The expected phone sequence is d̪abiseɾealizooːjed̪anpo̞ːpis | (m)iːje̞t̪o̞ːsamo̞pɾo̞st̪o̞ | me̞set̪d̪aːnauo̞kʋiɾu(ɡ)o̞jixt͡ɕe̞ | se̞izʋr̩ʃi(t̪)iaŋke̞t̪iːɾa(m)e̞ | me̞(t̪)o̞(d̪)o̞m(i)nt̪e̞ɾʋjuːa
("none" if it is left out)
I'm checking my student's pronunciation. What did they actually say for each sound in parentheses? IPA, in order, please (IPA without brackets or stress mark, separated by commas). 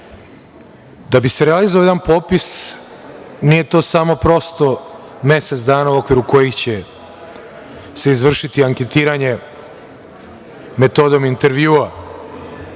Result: n, k, t̪, ɲ, t̪, d̪, i